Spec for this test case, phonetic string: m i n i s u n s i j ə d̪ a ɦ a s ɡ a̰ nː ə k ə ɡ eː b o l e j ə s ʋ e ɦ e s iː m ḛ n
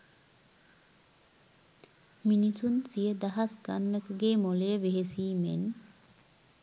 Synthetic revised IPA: m i n i s u n s i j ə d̪ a ɦ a s ɡ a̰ nː ə k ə ɡ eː m o l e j ə ʋ e ɦ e s iː m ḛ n

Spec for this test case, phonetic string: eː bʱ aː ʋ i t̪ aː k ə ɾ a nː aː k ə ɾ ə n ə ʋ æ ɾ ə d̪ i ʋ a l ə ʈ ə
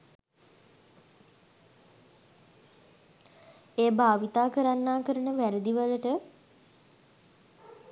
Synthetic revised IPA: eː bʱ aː ʋ i t̪ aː k ə ɾ a nː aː k ə ɾ ə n ə ʋ æ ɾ ə d̪ i ʋ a l ə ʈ ə

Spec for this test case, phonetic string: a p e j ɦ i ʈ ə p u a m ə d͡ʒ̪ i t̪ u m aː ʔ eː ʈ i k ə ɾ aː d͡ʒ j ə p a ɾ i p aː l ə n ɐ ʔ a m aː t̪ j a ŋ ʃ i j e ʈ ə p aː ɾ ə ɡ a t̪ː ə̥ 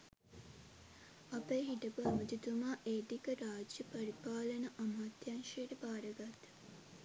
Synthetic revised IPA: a p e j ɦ i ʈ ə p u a m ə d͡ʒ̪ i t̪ u m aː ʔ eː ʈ i k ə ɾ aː d͡ʒ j ə p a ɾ i p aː l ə n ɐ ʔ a m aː t̪ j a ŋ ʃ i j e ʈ ə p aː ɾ ə ɡ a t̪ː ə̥

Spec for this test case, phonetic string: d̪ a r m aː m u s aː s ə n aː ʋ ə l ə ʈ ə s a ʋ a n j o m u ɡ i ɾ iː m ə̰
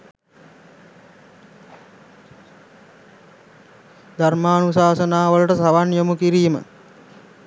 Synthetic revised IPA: d̪ a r m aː n u s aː s ə n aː ʋ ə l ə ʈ ə s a ʋ a n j o m u k i ɾ iː m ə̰

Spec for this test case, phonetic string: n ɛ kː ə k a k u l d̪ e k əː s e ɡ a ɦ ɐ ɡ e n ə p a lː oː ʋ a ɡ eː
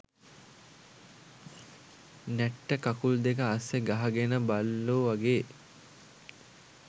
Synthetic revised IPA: n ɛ ʈː ə k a k u l d̪ e k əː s e ɡ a ɦ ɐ ɡ e n ə b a lː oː ʋ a ɡ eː

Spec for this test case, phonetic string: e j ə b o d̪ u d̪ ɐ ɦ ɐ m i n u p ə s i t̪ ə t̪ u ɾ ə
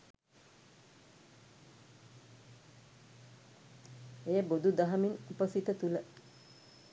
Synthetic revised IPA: e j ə b o d̪ u d̪ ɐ ɦ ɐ m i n u p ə s i t̪ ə t̪ u l ə

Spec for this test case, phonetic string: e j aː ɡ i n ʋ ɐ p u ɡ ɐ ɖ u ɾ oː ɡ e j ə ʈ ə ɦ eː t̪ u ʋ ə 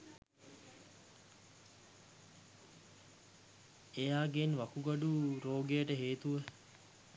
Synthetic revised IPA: e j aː ɡ e n ʋ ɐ k u ɡ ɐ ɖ u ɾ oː ɡ e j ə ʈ ə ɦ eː t̪ u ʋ ə

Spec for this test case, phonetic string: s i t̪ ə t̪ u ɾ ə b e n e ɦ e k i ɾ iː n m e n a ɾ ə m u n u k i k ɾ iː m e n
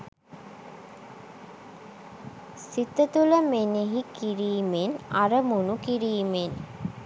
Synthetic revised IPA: s i t̪ ə t̪ u l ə m e n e ɦ i k i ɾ iː m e n a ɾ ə m u n u k i ɾ iː m e n

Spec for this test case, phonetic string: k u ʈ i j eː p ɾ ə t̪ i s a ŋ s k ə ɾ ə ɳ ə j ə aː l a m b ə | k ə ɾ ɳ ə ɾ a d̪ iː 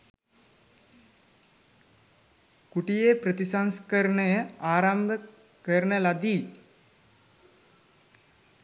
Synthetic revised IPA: k u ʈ i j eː p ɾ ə t̪ i s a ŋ s k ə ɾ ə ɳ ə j ə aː ɾ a m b ə | k ə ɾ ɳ ə l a d̪ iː

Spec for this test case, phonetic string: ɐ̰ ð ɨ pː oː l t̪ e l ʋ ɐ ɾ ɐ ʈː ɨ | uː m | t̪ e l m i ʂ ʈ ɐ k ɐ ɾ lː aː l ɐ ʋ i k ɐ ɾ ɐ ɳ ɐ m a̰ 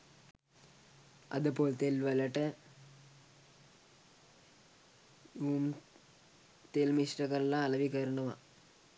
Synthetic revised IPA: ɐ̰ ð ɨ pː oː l t̪ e l ʋ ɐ l ɐ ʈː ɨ | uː m | t̪ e l m i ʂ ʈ ɐ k ɐ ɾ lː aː l ɐ ʋ i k ɐ ɾ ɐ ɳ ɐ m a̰

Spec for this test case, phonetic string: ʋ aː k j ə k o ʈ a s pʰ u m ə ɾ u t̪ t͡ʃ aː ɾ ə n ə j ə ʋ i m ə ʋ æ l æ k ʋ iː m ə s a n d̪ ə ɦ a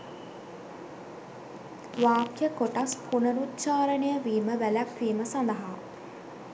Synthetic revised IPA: ʋ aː k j ə k o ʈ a s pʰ u n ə ɾ u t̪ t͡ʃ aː ɾ ə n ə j ə ʋ iː m ə ʋ æ l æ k ʋ iː m ə s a n d̪ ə ɦ a

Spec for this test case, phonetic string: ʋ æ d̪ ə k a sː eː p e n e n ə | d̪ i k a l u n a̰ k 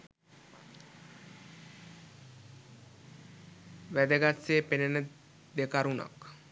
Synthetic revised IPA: ʋ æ d̪ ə ɡ a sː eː p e n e n ə | d̪ e k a ɾ u n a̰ k

